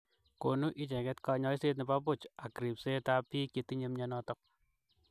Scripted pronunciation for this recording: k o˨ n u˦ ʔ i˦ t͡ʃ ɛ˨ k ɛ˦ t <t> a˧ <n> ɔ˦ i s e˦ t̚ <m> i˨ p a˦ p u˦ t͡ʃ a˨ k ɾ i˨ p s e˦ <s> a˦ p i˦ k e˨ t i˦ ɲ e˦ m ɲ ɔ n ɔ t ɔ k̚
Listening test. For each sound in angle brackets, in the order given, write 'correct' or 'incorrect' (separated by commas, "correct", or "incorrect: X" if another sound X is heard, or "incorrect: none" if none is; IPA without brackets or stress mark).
incorrect: k, incorrect: ɲ, incorrect: n, incorrect: t